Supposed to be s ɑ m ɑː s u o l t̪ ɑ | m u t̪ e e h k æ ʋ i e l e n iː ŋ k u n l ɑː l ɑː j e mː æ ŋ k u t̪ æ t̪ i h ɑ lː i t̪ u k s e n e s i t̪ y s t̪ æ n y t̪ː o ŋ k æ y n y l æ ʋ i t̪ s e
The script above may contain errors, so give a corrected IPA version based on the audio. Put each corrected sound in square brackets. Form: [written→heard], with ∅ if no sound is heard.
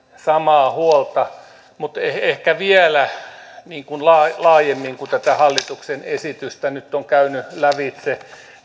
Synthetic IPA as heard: s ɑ m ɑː [s→h] u o l t̪ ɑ | m u t̪ e e h k æ ʋ i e l [e→æ] n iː ŋ k u n l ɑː l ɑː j e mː [æ→i] ŋ k u t̪ æ t̪ [i→æ] h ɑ lː i t̪ u k s e n e s i t̪ y s t̪ æ n y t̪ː o ŋ k æ y n y l æ ʋ i t̪ s e

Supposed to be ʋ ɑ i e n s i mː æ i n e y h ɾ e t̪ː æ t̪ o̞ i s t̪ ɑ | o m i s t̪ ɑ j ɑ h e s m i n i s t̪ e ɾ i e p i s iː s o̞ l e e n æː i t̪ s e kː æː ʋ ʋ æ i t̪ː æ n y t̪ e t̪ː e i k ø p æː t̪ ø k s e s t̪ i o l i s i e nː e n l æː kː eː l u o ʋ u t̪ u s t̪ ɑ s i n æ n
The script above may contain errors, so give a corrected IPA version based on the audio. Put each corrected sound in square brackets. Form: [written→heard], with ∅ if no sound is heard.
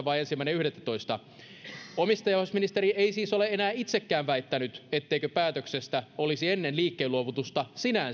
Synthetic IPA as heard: ʋ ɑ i e n s i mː æ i n e y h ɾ e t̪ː æ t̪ o̞ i s t̪ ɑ | o m i s t̪ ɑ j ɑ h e s m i n i s t̪ e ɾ i e [p→∅] i s iː s o̞ l e e n æː i t̪ s e kː æː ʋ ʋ æ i t̪ː æ n y t̪ e t̪ː e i k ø p æː t̪ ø k s e s t̪ [i→æ] o l i s i e nː e n l [æː→iː] kː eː l u o ʋ u t̪ u s t̪ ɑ s i n æ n

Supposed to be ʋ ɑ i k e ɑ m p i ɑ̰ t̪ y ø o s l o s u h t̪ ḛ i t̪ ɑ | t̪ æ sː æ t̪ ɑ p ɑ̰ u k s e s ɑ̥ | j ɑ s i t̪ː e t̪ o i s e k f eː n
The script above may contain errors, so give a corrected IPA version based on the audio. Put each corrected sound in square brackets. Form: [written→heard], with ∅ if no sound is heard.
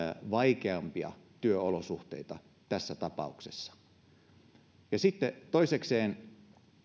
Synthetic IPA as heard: ʋ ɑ i k e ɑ m p i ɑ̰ t̪ y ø o [s→∅] l o s u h t̪ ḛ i t̪ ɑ | t̪ æ sː æ t̪ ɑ p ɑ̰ u k s e [s→sː] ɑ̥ | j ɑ s i t̪ː e t̪ o i s e k [f→s] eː n

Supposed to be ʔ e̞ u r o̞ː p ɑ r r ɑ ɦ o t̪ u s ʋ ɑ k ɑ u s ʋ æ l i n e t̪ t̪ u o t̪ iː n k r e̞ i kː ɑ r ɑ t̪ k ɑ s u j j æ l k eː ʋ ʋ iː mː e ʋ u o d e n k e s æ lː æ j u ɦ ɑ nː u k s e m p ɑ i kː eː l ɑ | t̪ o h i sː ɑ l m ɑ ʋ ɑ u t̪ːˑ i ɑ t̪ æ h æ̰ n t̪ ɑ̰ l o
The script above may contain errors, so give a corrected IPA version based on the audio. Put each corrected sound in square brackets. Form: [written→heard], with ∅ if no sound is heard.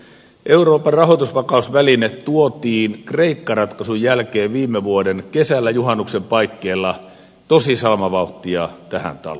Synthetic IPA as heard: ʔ e̞ u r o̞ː p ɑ r r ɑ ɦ o t̪ u s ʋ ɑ k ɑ u s ʋ æ l i n e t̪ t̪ u o t̪ iː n k r e̞ i kː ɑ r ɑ t̪ k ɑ s u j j æ l k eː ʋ ʋ iː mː e ʋ u o d e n k e s æ lː æ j u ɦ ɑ nː u k s e m p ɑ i kː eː [l→lː] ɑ | t̪ o [h→s] i [sː→s] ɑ l m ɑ ʋ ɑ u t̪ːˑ i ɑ t̪ æ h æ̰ n t̪ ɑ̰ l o

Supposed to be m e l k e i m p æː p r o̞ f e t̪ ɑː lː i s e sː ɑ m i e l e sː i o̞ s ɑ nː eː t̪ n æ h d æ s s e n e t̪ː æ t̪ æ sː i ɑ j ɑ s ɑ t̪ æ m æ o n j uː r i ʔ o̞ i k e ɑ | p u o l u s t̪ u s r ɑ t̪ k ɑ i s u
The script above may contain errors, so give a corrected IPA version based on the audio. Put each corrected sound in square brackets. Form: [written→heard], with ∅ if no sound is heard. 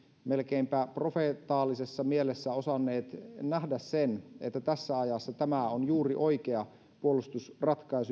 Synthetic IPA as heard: m e l k e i m p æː p r o̞ f e t̪ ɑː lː i s e sː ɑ m i e l e sː [i→æ] o̞ s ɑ nː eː t̪ n æ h d æ s s e n e t̪ː æ t̪ æ sː [i→æ] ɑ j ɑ [s→sː] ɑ t̪ æ m æ o n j uː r i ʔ o̞ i k e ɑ | p u o l u s t̪ u s r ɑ t̪ k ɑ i s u

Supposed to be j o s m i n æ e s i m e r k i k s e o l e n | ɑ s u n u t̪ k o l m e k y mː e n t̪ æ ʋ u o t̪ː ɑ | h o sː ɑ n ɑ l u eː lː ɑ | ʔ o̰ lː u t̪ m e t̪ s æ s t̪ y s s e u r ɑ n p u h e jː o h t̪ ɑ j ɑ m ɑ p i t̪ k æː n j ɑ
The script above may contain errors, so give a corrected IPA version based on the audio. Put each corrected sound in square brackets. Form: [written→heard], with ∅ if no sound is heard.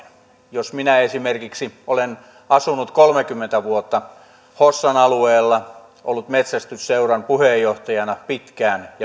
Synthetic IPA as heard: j o s m i n æ e s i m e r k i k s [e→i] o l e n | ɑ s u n u t̪ k o l m e k y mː e n t̪ æ ʋ u o t̪ː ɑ | h o sː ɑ n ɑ l u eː lː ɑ | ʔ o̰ lː u t̪ m e t̪ s æ s t̪ y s s e u r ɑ n p u h e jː o h t̪ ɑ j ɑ [m→n] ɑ p i t̪ k æː n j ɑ

